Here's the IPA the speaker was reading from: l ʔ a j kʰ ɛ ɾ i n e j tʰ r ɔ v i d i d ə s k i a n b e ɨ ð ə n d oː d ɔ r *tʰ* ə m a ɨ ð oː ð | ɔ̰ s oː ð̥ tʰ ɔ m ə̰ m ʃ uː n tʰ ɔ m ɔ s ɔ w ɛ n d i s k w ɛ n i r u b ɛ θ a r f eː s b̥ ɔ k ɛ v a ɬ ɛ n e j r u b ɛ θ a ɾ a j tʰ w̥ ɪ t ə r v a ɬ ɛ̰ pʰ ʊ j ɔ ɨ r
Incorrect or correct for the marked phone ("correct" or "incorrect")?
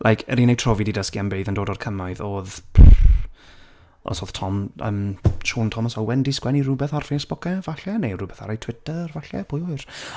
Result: incorrect